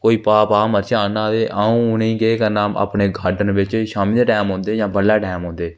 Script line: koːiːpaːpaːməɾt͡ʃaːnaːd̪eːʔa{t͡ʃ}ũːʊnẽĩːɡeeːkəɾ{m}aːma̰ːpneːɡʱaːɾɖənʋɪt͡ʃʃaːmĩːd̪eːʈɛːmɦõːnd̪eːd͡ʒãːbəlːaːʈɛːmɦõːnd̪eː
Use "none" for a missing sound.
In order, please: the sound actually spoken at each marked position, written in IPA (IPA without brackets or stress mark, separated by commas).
none, n